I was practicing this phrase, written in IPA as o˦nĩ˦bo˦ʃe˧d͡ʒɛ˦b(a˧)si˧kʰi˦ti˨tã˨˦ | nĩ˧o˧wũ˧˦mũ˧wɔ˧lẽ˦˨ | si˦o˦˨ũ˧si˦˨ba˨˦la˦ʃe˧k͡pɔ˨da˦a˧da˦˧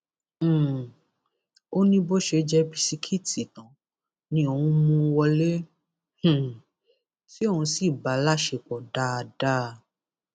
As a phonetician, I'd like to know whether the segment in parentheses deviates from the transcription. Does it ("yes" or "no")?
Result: yes